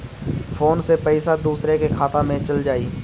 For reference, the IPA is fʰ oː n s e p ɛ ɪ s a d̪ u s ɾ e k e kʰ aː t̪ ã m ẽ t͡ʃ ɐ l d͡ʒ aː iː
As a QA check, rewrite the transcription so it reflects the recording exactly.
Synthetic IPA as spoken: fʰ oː n s e p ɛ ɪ s a d̪ uː s ɾ e k e kʰ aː t̪ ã m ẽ t͡ʃ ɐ l d͡ʒ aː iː